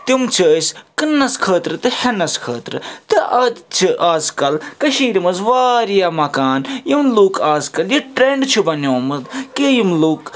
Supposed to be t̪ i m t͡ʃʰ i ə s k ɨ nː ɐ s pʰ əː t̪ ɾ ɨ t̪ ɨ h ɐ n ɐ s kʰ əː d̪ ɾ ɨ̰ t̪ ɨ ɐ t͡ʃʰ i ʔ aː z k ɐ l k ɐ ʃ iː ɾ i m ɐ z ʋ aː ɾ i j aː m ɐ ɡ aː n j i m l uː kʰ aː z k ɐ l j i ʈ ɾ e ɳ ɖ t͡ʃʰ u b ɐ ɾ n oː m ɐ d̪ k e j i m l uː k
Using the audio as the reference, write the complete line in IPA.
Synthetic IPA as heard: t̪ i m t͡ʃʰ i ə s k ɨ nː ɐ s kʰ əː t̪ ɾ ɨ t̪ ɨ h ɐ n ɐ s kʰ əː t̪ ɾ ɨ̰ t̪ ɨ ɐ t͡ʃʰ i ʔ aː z k ɐ l k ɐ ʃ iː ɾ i m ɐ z ʋ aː ɾ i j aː m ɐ k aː n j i m l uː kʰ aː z k ɐ l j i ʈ ɾ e ɳ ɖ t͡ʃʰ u b ɐ n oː m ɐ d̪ k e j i m l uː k